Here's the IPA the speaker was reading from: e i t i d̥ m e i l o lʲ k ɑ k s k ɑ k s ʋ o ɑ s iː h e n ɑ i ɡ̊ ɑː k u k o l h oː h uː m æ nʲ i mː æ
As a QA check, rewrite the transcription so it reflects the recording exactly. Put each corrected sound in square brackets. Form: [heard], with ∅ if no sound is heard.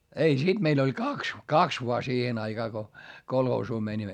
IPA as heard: e i [s] i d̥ m e i l o lʲ k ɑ k s k ɑ k s ʋ o ɑ s iː h e n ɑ i ɡ̊ ɑː k [o] k o l h oː [s] uː m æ nʲ i mː æ